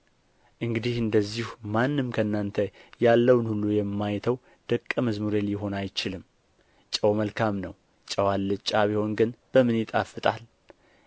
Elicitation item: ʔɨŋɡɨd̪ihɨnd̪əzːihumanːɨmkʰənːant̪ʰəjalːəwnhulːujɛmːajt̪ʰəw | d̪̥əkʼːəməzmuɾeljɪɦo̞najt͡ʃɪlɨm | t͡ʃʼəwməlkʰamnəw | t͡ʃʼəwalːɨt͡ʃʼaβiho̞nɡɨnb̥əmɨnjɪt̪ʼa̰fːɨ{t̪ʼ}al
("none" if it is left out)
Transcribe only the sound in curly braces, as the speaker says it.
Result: t̪ʼ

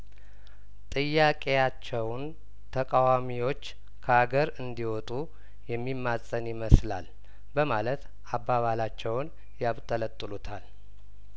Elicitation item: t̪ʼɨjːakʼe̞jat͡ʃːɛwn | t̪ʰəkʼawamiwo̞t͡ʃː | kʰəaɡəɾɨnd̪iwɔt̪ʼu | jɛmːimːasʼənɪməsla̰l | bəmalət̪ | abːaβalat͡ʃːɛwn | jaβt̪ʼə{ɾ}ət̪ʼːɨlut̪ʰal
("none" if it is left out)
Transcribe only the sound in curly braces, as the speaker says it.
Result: l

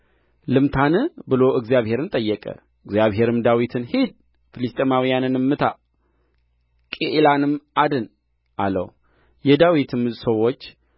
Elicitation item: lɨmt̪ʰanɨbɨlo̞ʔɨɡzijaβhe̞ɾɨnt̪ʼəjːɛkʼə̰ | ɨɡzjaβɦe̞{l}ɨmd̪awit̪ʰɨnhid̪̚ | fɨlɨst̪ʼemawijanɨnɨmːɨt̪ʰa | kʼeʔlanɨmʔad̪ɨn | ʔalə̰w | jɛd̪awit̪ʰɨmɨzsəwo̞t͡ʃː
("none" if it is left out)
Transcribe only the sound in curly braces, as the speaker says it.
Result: ɾ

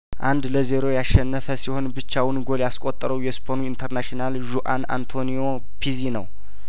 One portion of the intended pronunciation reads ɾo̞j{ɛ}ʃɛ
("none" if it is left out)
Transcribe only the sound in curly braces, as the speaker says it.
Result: a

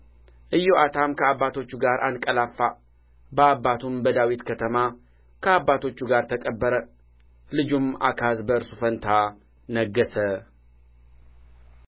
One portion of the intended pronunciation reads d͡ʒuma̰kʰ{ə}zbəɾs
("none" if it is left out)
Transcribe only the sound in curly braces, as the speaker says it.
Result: a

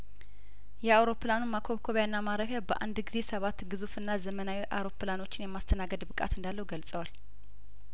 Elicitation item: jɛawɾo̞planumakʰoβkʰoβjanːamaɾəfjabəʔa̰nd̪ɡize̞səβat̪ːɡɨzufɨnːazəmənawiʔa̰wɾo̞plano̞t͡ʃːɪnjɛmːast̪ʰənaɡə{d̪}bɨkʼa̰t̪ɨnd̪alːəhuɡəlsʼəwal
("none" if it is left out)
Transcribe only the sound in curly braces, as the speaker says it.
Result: d̪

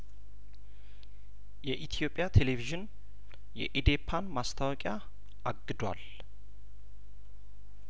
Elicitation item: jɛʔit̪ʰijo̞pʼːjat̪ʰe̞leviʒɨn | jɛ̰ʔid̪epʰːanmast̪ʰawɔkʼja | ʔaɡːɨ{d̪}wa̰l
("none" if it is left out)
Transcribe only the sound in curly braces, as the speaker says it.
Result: d̪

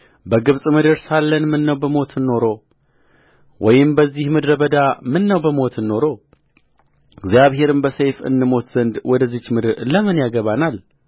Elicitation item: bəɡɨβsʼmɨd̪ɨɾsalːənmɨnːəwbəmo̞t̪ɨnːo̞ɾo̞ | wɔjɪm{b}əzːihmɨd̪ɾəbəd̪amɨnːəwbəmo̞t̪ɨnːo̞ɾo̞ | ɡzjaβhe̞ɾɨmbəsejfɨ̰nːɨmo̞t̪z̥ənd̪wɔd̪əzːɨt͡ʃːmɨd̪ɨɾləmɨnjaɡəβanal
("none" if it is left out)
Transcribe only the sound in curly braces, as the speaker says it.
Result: b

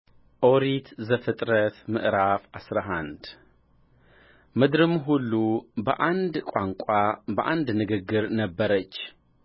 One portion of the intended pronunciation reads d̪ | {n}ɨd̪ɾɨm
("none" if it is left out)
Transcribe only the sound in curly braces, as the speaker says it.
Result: m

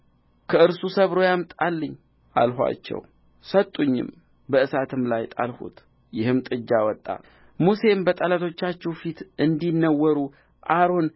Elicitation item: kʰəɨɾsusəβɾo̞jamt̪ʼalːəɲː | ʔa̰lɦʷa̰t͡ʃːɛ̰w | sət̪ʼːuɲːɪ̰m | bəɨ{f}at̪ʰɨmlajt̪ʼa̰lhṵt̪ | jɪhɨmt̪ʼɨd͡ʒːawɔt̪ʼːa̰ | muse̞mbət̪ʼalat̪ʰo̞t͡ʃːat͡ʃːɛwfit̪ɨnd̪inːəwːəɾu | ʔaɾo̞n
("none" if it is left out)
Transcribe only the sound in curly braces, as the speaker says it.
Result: s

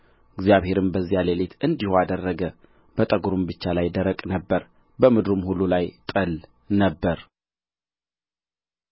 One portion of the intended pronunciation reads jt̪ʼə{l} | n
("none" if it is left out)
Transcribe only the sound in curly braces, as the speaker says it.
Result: l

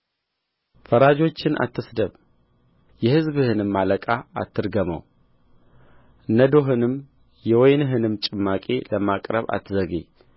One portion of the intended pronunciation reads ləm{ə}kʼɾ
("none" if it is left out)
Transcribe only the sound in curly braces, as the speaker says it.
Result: a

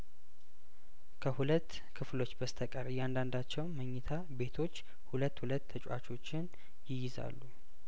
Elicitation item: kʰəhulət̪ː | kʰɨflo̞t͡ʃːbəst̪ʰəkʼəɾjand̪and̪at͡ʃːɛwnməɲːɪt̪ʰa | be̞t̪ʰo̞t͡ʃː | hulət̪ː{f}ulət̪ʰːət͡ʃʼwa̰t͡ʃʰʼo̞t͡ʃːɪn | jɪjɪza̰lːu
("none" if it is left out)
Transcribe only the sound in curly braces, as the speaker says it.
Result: h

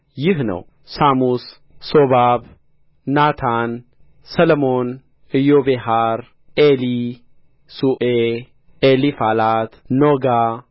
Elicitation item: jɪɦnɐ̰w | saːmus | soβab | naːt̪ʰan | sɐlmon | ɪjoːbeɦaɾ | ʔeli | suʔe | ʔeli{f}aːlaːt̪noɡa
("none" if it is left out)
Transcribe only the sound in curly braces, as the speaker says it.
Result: f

